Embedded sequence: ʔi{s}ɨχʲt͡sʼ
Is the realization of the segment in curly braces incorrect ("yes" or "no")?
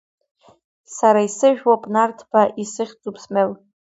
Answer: no